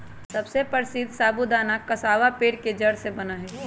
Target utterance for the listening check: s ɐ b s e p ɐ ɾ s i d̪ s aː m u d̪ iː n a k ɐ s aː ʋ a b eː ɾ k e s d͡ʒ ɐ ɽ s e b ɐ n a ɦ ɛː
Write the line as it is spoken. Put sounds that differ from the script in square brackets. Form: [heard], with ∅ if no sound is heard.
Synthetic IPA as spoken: s ɐ b s e p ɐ ɾ s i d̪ s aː [b] u d̪ [aː] n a k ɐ s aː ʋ a [p] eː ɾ k e [∅] d͡ʒ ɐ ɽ s e b ɐ n a ɦ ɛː

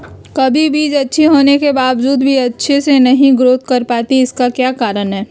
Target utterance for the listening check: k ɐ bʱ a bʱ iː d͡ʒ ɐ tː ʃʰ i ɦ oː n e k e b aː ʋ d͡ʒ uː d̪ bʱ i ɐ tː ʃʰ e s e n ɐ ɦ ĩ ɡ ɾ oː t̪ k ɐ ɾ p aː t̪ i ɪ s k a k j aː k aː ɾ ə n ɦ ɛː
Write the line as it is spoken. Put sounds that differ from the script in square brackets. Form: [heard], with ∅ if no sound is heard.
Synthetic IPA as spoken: k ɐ bʱ [i] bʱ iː d͡ʒ ɐ tː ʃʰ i ɦ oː n e k e b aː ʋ d͡ʒ uː d̪ bʱ i ɐ tː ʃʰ e s e n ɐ ɦ ĩ ɡ ɾ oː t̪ k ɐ ɾ p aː t̪ i ɪ s k a k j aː k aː ɾ ə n ɦ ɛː

